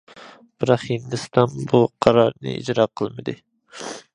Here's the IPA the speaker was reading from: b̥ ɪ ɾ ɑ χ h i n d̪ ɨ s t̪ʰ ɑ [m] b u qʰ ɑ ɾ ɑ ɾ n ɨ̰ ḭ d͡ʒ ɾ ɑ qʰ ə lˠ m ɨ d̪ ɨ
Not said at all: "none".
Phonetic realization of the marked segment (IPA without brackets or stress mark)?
n